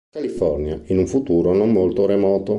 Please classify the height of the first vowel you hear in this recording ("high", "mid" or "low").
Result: low